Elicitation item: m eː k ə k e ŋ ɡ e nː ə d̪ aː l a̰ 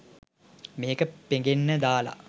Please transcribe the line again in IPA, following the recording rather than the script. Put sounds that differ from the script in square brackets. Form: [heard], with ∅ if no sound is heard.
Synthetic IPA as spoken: m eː k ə [p] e ŋ ɡ e nː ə d̪ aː l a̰